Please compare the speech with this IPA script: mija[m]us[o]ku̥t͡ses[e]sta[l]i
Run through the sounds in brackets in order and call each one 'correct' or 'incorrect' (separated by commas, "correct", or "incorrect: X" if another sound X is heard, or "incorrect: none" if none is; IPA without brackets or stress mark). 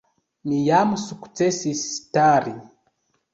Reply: correct, incorrect: u, incorrect: i, incorrect: ɾ